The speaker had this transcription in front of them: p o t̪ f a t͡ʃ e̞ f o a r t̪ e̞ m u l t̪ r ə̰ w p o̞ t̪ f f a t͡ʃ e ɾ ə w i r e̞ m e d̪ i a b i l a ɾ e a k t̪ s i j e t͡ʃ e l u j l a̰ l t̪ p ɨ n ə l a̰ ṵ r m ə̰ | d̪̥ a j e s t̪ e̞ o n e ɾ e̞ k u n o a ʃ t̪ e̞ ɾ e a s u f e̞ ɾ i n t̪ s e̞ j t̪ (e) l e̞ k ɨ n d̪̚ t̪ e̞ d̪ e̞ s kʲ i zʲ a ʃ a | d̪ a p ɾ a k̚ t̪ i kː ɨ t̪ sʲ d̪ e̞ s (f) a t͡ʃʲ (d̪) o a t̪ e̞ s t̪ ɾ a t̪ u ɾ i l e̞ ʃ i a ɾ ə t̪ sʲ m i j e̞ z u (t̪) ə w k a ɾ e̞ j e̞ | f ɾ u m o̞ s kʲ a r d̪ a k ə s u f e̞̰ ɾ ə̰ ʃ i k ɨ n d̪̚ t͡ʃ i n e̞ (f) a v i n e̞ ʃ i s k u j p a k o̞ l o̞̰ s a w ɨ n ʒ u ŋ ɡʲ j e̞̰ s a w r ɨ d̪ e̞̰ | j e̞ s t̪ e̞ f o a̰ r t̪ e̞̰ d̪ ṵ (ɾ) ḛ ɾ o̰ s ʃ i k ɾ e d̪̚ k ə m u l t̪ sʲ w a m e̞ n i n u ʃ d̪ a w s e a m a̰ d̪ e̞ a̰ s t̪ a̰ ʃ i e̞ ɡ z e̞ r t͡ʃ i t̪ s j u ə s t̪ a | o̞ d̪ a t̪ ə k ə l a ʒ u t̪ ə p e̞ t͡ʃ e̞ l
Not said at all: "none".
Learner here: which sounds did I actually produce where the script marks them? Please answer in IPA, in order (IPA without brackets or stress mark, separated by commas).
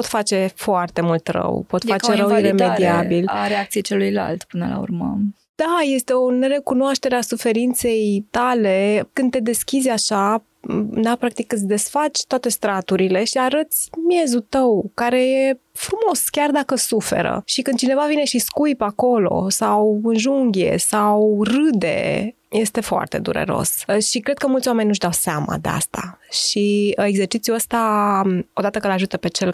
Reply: a, f, t̪, t̪, v, ɾ